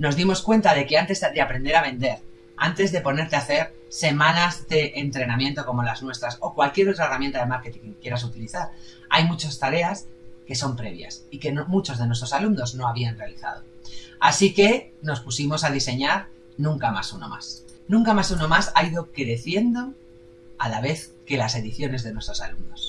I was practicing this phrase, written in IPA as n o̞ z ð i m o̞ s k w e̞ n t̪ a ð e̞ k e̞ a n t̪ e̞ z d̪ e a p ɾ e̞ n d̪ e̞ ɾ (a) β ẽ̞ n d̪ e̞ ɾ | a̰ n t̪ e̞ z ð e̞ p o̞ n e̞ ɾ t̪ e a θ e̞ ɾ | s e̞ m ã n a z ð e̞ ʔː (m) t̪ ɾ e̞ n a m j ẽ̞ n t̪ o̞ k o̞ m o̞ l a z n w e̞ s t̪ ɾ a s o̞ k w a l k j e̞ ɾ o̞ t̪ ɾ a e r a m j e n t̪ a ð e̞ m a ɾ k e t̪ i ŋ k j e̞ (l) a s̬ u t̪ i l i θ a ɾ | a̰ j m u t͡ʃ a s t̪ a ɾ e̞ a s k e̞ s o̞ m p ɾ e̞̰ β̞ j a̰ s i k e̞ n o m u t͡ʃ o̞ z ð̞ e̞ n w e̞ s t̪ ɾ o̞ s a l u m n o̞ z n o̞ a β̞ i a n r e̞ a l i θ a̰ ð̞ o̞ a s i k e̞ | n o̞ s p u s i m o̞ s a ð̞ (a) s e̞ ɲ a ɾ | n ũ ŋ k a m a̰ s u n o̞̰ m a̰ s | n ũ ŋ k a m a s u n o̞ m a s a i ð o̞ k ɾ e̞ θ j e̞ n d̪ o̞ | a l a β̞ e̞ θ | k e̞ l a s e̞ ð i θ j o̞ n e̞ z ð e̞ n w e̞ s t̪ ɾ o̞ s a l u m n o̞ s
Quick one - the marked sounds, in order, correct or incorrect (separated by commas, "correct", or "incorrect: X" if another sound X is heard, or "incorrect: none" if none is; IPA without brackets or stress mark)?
correct, incorrect: n, incorrect: ɾ, incorrect: i